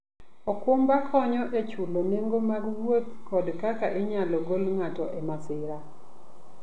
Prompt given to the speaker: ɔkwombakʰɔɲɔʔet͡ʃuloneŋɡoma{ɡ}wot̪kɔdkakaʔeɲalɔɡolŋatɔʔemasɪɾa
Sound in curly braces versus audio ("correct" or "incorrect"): correct